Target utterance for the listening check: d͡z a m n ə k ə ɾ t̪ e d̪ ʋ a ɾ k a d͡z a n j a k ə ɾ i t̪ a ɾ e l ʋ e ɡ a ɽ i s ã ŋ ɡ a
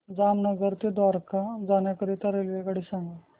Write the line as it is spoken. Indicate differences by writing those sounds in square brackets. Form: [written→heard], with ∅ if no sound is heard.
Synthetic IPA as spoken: d͡z a m n ə [k→ɡ] ə ɾ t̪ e d̪ ʋ a ɾ k a d͡z a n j a k ə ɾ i t̪ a ɾ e l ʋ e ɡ a ɽ i s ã ŋ ɡ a